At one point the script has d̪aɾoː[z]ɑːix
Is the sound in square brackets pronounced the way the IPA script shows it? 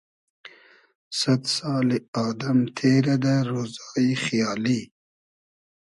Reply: yes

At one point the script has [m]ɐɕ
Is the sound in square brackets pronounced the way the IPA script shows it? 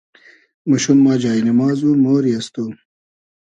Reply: yes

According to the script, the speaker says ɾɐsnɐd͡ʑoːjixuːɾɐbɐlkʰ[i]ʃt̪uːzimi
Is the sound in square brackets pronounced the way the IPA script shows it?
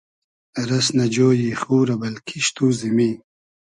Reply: yes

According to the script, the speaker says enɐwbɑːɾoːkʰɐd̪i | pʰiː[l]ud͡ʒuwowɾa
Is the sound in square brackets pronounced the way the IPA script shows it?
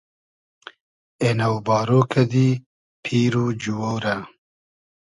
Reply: no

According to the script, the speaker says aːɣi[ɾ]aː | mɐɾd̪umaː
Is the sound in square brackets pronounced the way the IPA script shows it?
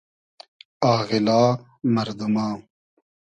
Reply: no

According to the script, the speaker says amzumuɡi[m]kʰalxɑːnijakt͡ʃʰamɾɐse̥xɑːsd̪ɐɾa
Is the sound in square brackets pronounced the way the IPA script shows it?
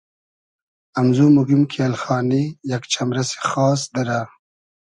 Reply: yes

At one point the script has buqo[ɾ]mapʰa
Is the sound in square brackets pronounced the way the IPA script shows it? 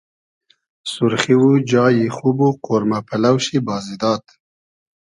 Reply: yes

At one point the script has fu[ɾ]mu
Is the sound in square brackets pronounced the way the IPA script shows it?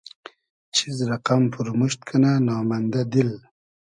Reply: yes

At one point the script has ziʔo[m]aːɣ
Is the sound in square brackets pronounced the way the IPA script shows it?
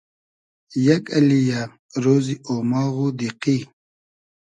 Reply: yes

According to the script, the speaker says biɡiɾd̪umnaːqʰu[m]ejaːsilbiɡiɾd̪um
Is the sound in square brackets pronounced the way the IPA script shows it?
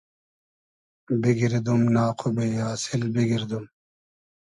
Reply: no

